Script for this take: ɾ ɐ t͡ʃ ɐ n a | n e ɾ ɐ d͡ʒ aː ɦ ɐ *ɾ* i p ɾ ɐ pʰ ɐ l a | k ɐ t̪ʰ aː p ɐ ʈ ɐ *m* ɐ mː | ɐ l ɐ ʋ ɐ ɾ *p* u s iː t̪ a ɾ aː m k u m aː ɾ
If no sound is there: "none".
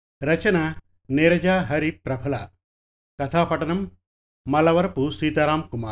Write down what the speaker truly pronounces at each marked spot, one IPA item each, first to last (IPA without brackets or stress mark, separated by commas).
ɾ, n, p